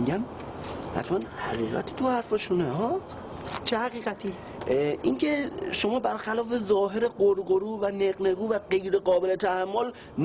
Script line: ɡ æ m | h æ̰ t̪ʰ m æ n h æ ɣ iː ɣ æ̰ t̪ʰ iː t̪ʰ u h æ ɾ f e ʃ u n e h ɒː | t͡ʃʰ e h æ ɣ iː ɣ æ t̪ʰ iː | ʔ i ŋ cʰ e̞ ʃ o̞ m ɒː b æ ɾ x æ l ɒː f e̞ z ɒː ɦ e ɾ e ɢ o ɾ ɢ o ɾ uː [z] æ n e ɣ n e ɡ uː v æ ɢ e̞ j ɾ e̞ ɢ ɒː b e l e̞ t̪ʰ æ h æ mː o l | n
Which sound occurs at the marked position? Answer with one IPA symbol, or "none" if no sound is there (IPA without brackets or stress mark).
v